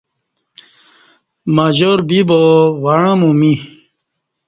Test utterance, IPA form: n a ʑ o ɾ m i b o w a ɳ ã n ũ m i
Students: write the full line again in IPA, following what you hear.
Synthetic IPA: m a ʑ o ɾ b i b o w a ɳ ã m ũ m i